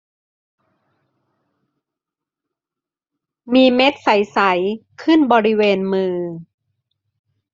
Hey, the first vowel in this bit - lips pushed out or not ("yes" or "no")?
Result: no